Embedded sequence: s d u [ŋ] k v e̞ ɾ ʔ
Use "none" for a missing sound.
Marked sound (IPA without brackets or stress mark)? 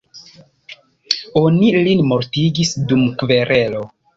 m